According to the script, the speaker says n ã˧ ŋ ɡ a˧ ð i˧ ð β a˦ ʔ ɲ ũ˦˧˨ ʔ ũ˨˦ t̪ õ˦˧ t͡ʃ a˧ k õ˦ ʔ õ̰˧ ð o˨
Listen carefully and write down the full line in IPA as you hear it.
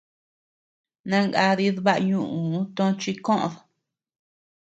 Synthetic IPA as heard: n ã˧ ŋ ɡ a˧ ð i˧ ð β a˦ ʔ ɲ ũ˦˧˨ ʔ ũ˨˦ t̪ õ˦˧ t͡ʃ i˧ k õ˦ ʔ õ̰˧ ð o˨

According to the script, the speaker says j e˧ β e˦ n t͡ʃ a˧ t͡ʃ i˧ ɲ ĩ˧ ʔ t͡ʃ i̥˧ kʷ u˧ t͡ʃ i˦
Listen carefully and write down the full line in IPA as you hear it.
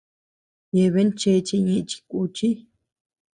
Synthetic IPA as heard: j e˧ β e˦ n t͡ʃ e˧ t͡ʃ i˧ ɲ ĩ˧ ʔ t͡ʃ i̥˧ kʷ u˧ t͡ʃ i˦

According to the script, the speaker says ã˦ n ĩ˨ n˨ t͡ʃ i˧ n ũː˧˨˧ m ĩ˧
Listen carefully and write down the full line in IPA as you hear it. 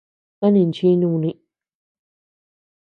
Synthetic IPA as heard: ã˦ n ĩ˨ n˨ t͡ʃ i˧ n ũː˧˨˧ n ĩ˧

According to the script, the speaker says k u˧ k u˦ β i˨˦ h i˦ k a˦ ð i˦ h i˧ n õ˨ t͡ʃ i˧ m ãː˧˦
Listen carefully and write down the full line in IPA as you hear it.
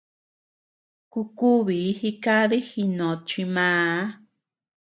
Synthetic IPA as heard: k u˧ k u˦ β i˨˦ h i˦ k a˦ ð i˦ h i˧ n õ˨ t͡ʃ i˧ m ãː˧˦

